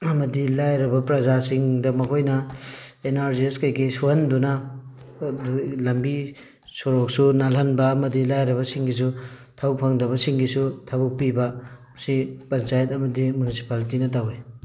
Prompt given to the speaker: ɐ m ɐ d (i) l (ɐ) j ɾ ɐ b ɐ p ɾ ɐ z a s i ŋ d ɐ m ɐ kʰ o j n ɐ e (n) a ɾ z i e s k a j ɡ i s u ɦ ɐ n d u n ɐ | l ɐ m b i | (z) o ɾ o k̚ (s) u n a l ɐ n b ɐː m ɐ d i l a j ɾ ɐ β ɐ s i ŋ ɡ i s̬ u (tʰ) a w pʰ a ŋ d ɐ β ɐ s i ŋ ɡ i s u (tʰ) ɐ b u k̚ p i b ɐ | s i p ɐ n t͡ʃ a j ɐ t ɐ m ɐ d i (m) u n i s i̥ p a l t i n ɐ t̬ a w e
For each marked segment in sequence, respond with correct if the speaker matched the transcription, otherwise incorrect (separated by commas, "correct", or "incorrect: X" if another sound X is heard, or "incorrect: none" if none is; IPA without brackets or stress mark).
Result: correct, incorrect: a, correct, incorrect: s, correct, correct, correct, correct